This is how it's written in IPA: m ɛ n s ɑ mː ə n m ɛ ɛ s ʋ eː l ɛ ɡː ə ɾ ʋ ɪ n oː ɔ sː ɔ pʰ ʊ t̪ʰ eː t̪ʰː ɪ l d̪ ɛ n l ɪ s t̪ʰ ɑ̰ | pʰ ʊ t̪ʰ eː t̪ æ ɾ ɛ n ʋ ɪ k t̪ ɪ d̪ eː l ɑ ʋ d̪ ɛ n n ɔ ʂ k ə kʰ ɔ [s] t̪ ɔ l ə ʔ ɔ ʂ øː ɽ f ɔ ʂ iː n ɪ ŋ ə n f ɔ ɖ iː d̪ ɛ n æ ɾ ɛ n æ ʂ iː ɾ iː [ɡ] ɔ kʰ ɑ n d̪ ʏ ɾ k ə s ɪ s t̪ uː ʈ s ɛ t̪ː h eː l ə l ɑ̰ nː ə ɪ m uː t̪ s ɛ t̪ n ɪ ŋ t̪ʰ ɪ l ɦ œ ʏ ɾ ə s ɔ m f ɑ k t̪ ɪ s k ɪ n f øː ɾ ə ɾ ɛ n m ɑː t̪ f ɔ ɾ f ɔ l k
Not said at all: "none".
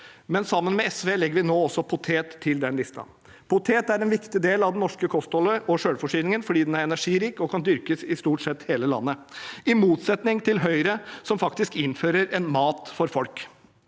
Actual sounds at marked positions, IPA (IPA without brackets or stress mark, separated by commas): s, k